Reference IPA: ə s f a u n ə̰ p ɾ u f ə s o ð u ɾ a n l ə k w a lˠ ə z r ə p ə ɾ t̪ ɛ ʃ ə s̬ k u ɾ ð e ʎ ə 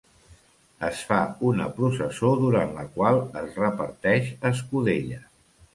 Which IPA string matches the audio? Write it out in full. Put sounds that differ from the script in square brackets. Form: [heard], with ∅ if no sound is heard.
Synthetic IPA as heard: ə s f a u n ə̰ p ɾ u [s] ə s o ð u ɾ a n l ə k w a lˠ ə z r ə p ə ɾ t̪ ɛ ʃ ə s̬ k u [∅] ð e ʎ ə